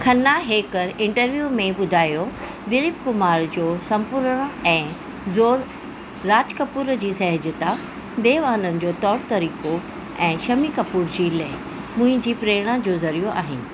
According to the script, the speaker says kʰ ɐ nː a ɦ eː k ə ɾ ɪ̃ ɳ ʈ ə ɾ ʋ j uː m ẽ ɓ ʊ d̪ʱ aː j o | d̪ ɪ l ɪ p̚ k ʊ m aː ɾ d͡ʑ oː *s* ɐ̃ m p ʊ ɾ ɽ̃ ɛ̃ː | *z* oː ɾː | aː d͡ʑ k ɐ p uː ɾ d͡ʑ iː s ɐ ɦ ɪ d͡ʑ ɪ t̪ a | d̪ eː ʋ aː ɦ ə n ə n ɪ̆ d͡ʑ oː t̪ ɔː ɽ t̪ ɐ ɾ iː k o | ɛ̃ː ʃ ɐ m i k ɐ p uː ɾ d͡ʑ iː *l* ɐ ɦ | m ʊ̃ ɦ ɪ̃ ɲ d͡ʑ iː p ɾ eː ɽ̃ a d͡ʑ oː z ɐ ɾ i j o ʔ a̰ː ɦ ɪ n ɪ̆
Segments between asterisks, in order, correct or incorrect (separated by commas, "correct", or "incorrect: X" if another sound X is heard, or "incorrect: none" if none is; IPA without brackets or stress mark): correct, correct, correct